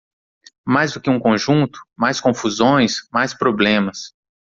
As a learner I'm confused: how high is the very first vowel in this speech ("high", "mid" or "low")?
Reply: low